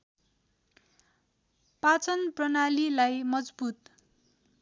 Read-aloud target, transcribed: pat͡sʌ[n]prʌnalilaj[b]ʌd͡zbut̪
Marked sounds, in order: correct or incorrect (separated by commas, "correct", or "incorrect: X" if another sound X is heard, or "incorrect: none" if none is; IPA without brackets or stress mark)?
correct, incorrect: m